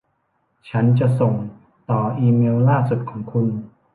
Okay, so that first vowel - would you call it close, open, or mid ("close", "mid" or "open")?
open